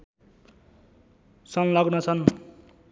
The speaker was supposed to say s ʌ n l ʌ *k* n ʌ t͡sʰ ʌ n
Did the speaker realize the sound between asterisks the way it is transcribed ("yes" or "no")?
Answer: no